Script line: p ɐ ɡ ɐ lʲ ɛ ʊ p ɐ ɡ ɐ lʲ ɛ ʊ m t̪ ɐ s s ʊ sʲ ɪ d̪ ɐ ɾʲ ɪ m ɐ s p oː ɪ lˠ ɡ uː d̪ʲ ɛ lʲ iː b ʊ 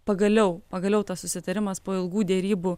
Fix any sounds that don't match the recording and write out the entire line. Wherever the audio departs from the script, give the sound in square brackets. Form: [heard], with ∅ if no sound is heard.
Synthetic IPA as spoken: p ɐ ɡ ɐ lʲ ɛ ʊ p ɐ ɡ ɐ lʲ ɛ ʊ [∅] t̪ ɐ s s ʊ sʲ ɪ [t̪] ɐ ɾʲ ɪ m ɐ s p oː ɪ lˠ ɡ uː d̪ʲ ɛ [ɾʲ] iː b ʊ